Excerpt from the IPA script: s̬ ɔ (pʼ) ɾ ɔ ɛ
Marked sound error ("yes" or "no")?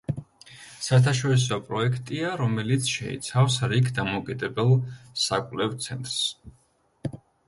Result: no